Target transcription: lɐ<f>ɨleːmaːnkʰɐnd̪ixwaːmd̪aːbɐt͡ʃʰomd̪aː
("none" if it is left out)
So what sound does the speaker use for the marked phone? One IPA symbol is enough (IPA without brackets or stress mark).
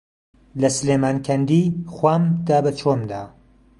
s